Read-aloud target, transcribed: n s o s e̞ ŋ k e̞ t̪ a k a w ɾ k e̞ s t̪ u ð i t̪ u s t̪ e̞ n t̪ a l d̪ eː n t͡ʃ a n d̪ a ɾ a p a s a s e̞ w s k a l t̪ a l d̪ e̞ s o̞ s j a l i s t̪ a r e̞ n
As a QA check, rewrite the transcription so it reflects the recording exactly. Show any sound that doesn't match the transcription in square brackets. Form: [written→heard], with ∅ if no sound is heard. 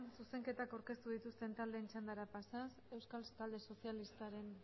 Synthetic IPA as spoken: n s [o→u] s e̞ ŋ k e̞ t̪ a k a w ɾ k e̞ s t̪ u ð i t̪ u s t̪ e̞ n t̪ a l d̪ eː n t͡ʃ a n d̪ a ɾ a p a s a s e̞ w s k a l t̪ a l d̪ e̞ s o̞ s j a l i s t̪ a [r→ɾ] e̞ n